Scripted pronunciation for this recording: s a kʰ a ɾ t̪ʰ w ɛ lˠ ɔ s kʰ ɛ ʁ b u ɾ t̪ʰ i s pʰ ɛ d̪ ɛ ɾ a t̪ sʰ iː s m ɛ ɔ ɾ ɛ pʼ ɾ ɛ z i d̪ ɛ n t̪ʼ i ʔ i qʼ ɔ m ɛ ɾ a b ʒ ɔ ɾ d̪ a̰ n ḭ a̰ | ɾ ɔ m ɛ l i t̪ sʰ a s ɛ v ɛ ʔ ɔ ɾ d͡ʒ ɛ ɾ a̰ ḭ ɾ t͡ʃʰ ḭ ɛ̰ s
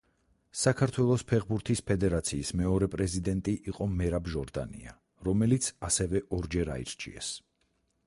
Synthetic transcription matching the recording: s a kʰ a ɾ t̪ʰ w ɛ lˠ ɔ s pʰ ɛ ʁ b u ɾ t̪ʰ i s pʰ ɛ d̪ ɛ ɾ a t̪ sʰ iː s m ɛ ɔ ɾ ɛ pʼ ɾ ɛ z i d̪ ɛ n t̪ʼ i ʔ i qʼ ɔ m ɛ ɾ a b ʒ ɔ ɾ d̪ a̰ n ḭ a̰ | ɾ ɔ m ɛ l i t̪ sʰ a s ɛ v ɛ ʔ ɔ ɾ d͡ʒ ɛ ɾ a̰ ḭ ɾ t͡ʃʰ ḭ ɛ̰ s